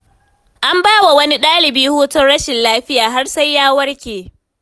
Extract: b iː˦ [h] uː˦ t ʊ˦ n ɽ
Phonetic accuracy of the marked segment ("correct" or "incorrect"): correct